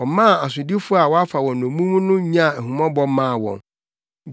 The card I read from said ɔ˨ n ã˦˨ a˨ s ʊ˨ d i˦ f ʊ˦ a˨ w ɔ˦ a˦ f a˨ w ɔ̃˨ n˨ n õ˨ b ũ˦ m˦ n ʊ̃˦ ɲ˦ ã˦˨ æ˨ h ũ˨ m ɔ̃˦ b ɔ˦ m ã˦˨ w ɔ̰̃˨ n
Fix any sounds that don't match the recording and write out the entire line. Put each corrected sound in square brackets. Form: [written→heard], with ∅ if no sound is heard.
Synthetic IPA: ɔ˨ [n→m] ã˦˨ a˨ s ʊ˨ d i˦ f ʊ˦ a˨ w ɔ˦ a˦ f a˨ w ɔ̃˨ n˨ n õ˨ [b→m] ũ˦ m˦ n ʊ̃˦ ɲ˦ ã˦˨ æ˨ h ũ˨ m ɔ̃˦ b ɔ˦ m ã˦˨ w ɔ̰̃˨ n

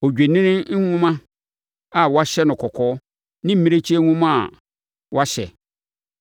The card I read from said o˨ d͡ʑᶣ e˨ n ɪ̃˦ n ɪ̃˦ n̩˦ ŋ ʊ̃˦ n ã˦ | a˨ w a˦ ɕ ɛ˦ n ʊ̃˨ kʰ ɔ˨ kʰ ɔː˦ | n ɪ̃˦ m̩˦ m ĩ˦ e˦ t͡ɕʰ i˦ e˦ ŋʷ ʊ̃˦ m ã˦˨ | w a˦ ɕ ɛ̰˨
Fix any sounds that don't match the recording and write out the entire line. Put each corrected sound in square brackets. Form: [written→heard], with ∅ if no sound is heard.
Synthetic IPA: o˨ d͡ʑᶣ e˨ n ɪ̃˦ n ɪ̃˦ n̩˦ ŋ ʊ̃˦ [n→m] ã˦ | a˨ w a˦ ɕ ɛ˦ n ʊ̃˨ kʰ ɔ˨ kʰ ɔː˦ | n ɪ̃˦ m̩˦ m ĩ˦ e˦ t͡ɕʰ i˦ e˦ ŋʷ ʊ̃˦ m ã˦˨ | w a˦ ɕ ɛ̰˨

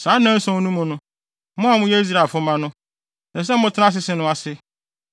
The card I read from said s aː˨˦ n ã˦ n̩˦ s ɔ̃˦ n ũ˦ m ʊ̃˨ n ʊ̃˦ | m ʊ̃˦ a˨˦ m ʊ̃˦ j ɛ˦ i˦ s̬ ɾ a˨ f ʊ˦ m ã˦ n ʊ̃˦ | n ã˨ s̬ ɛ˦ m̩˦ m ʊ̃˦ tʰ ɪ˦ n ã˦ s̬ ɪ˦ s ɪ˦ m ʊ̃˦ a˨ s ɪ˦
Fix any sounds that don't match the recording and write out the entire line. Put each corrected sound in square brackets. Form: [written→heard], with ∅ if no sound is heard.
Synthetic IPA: s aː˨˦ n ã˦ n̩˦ s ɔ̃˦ n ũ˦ m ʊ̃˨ n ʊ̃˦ | m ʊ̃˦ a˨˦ m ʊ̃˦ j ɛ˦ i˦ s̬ ɾ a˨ f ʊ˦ m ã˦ n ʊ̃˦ | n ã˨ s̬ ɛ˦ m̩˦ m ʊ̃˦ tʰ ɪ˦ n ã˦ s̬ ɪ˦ s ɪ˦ [m→n] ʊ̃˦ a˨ s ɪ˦

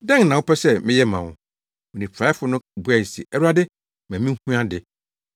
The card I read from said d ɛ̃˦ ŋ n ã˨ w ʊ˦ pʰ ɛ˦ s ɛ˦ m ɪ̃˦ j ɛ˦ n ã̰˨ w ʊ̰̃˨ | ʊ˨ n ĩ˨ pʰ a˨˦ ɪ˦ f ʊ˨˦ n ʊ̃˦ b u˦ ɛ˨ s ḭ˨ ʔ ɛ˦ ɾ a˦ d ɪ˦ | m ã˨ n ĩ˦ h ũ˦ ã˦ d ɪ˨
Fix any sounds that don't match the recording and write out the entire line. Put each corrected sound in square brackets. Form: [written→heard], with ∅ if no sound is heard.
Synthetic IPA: d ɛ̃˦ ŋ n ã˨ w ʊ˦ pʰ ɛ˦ s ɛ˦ m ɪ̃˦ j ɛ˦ [n→m] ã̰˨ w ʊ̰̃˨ | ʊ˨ n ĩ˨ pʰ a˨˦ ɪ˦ f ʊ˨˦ n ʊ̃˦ b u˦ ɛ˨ s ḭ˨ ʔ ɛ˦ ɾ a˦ d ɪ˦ | m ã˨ [n→m] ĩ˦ h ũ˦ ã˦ d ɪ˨

